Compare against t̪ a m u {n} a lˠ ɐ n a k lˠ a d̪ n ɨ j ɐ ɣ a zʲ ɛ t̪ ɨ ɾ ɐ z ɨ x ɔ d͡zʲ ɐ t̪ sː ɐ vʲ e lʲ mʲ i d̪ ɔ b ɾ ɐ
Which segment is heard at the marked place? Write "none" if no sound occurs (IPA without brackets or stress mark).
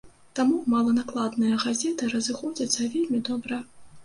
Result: m